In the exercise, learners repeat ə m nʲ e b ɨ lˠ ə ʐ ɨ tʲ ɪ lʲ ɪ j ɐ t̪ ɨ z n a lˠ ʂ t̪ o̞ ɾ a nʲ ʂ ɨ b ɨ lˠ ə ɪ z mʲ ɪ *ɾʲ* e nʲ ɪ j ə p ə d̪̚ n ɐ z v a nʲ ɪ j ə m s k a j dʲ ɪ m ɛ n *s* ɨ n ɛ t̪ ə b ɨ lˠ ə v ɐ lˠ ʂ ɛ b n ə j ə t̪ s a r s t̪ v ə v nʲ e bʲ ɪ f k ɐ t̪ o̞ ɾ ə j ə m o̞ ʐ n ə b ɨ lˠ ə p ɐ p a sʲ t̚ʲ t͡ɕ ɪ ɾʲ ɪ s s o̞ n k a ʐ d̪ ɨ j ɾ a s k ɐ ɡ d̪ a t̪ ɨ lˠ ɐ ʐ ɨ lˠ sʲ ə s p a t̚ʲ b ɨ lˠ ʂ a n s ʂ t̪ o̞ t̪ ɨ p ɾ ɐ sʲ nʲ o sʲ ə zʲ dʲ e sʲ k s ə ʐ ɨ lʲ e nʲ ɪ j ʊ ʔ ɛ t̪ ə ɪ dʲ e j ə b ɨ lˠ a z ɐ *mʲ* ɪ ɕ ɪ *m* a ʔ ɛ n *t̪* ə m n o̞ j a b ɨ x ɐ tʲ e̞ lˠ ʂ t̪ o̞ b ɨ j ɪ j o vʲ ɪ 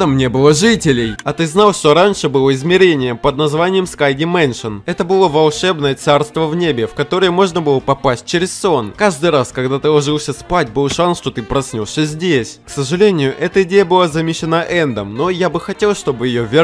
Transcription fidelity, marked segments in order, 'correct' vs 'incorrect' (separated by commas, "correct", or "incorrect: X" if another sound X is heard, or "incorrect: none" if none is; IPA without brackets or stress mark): correct, incorrect: ʂ, correct, incorrect: n, incorrect: d̪